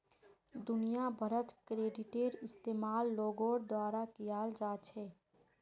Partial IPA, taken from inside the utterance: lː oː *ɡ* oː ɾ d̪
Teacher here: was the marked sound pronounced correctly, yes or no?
yes